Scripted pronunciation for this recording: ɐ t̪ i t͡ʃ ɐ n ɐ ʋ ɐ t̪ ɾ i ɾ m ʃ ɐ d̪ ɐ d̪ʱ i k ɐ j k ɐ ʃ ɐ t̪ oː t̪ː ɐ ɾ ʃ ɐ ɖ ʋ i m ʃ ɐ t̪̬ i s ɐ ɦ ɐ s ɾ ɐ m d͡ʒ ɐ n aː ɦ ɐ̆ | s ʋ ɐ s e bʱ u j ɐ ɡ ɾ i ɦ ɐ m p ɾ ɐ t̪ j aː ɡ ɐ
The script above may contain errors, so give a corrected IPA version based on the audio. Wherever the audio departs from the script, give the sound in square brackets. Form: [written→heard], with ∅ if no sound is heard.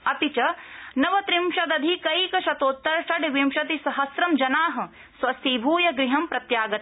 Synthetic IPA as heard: ɐ t̪ i t͡ʃ ɐ n ɐ ʋ ɐ t̪ ɾ i [ɾ→∅] m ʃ ɐ d̪ ɐ d̪ʱ i k ɐ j k ɐ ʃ ɐ t̪ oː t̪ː ɐ ɾ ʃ ɐ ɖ ʋ i m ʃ ɐ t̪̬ i s ɐ ɦ ɐ s ɾ ɐ m d͡ʒ ɐ n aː ɦ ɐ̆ | s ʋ ɐ s [e→i] bʱ [u→uː] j ɐ ɡ ɾ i ɦ ɐ m p ɾ ɐ t̪ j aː ɡ ɐ

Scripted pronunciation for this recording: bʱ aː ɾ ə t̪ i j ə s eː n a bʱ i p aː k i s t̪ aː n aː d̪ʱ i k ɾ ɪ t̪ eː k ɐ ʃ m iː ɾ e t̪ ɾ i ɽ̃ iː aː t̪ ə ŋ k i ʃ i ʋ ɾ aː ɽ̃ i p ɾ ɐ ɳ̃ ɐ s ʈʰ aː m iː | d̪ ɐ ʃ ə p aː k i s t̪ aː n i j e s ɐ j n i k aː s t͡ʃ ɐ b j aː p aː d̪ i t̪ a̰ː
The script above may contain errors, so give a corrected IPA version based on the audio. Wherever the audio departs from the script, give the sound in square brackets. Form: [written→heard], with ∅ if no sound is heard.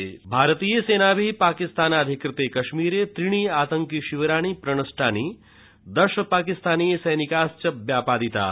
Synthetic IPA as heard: bʱ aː ɾ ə t̪ i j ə s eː n a bʱ i p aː k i s t̪ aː n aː d̪ʱ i k ɾ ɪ t̪ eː k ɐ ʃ m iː ɾ e t̪ ɾ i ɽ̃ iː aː t̪ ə ŋ k i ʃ i ʋ ɾ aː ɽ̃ i p ɾ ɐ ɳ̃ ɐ s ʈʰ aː [m→n] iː | d̪ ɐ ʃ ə p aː k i s t̪ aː n i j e s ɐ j n i k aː s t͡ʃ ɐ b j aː p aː d̪ i t̪ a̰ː

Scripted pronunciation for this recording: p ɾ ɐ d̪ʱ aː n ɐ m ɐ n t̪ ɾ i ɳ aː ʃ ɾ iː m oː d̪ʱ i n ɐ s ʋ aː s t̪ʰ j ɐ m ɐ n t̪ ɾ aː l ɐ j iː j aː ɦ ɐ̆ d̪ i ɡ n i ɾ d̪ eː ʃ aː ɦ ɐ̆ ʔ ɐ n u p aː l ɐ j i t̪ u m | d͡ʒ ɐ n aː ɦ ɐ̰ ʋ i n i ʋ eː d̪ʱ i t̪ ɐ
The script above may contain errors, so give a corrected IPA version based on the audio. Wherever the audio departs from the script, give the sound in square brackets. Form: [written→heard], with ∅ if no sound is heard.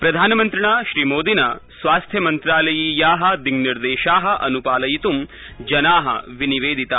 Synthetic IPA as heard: p ɾ ɐ d̪ʱ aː n ɐ m ɐ n t̪ ɾ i ɳ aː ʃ ɾ iː m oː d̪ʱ i n ɐ s ʋ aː s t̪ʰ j ɐ m ɐ n t̪ ɾ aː l ɐ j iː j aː ɦ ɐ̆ d̪ i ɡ n i ɾ d̪ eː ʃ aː ɦ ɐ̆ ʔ ɐ n u p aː l ɐ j i t̪ u m | d͡ʒ ɐ n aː ɦ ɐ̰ ʋ i n i ʋ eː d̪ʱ i t̪ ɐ

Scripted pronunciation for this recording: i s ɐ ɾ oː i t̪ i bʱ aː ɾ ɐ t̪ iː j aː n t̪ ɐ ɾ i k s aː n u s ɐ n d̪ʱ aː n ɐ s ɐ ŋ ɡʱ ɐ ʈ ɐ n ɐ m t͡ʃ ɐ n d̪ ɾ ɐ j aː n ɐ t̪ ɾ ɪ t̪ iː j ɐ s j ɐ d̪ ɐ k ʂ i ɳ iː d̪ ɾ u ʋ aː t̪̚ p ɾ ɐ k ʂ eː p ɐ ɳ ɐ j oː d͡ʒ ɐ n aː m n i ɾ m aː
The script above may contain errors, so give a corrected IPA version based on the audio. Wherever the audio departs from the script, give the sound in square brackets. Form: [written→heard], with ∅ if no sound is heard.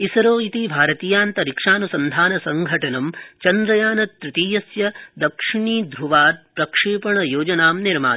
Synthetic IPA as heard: i s ɐ ɾ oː i t̪ i bʱ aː ɾ ɐ t̪ iː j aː n t̪ ɐ ɾ i k [s→ʂ] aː n u s ɐ n d̪ʱ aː n ɐ s ɐ ŋ ɡʱ ɐ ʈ ɐ n ɐ m t͡ʃ ɐ n d̪ ɾ ɐ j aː n ɐ t̪ ɾ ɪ t̪ iː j ɐ s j ɐ d̪ ɐ k ʂ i ɳ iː d̪ ɾ u ʋ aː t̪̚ p ɾ ɐ k ʂ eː p ɐ ɳ ɐ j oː d͡ʒ ɐ n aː m n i ɾ m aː

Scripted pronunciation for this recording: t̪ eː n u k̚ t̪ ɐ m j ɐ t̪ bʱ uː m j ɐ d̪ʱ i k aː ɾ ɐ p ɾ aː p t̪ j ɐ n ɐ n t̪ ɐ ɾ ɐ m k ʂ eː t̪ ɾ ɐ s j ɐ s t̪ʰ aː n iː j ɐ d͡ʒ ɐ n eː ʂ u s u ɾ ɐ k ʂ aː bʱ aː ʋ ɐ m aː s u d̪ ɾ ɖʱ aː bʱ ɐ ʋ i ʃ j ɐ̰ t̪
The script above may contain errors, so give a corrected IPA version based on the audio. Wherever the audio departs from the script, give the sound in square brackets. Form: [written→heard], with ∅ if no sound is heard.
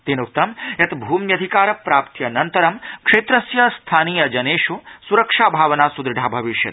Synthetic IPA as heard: t̪ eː n u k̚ t̪ ɐ m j ɐ t̪ bʱ uː m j ɐ d̪ʱ i k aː ɾ ɐ p ɾ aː p t̪ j ɐ n ɐ n t̪ ɐ ɾ ɐ m k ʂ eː t̪ ɾ ɐ s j ɐ s t̪ʰ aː n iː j ɐ d͡ʒ ɐ n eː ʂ u s u ɾ ɐ k ʂ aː bʱ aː ʋ ɐ [m→n] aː s u d̪ ɾ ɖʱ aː bʱ ɐ ʋ i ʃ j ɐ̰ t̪

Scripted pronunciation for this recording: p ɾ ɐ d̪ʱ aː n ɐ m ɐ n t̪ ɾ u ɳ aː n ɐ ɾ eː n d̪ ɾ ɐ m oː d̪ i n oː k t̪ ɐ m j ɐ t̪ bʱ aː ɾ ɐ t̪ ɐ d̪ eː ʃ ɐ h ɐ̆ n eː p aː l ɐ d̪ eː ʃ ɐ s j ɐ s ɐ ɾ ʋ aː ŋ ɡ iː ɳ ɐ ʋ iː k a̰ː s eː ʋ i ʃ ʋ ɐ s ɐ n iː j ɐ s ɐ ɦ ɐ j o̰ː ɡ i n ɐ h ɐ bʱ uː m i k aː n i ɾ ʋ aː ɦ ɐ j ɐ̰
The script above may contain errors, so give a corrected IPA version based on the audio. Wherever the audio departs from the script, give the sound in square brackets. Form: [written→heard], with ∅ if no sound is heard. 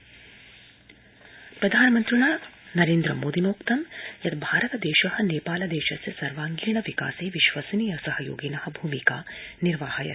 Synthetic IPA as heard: p ɾ ɐ d̪ʱ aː n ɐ m ɐ n t̪ ɾ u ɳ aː n ɐ ɾ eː n d̪ ɾ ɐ m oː d̪ i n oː k t̪ ɐ m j ɐ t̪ bʱ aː ɾ ɐ t̪ ɐ d̪ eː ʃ ɐ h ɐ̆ n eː p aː l ɐ d̪ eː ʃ ɐ s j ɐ s ɐ ɾ ʋ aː ŋ ɡ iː ɳ ɐ ʋ [iː→i] k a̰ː s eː ʋ i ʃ ʋ ɐ s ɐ n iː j ɐ s ɐ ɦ ɐ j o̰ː ɡ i n ɐ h ɐ bʱ uː m i k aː n i ɾ ʋ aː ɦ ɐ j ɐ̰

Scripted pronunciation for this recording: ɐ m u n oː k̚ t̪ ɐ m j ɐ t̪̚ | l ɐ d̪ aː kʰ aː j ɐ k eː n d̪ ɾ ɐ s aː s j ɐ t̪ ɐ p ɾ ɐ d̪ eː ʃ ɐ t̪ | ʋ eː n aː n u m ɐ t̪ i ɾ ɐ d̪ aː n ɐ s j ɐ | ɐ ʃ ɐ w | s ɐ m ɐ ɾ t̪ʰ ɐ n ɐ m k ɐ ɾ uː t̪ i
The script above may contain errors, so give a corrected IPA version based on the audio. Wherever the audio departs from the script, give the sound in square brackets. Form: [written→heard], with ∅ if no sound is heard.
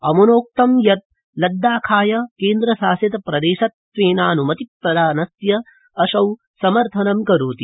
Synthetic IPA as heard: ɐ m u n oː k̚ t̪ ɐ m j ɐ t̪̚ | l ɐ [d̪→d̪ː] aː kʰ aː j ɐ k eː n d̪ ɾ ɐ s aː s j ɐ t̪ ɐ p ɾ ɐ d̪ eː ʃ ɐ t̪ | ʋ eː n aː n u m ɐ t̪ i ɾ ɐ d̪ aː n ɐ s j ɐ | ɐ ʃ ɐ w | s ɐ m ɐ ɾ t̪ʰ ɐ n ɐ m k ɐ ɾ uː t̪ i

